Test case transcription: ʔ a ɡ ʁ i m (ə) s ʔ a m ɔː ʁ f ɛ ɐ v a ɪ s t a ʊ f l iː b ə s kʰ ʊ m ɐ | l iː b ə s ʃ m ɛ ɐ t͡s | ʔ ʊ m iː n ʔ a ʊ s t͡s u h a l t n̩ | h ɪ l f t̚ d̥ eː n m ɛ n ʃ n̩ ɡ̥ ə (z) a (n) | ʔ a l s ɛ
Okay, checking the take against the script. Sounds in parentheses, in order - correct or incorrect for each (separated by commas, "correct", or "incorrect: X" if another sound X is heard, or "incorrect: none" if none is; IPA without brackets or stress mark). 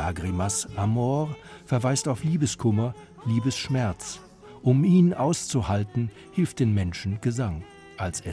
incorrect: a, correct, incorrect: ŋ